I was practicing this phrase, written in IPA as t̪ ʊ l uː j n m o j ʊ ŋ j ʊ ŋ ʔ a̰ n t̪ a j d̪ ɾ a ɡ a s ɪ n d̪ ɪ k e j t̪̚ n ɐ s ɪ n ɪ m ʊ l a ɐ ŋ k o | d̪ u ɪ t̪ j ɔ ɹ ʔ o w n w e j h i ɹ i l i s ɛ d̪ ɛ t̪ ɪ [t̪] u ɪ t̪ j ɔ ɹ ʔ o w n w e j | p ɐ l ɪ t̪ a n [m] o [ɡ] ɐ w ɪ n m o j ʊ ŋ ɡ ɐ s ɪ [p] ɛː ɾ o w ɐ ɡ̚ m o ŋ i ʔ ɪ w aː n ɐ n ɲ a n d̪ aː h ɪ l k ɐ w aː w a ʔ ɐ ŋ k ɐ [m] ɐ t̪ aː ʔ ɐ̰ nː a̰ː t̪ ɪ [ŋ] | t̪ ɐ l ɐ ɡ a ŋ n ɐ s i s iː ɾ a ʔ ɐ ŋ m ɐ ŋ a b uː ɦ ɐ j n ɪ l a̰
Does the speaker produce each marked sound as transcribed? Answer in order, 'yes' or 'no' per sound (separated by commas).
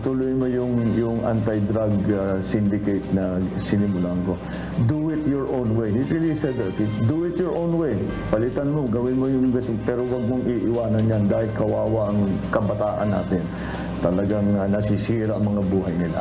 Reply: no, yes, yes, yes, no, no